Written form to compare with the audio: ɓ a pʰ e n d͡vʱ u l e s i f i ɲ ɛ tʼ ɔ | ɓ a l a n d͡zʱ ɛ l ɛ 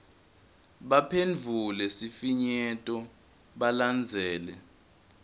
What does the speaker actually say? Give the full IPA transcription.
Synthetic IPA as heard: ɓ a pʰ e n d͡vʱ u l ɛ s i f i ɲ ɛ tʼ ɔ | ɓ a l a n d͡zʱ ɛː l ɛ